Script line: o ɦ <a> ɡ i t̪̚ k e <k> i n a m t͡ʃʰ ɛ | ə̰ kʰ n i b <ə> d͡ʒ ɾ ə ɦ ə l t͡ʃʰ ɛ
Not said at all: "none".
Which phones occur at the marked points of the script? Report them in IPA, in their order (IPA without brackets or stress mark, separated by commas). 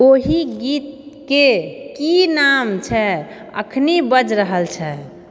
i, k, ə